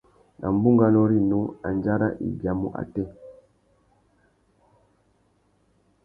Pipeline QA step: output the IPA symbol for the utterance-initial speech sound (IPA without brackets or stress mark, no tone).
n